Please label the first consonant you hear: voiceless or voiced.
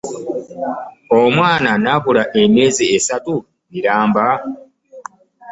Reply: voiced